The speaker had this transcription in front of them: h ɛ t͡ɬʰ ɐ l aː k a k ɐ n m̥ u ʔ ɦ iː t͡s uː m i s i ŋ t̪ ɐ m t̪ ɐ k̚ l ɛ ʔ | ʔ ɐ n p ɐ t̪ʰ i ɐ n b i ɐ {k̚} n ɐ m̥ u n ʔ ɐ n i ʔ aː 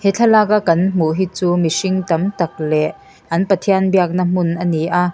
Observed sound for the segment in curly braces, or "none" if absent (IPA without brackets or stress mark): k̚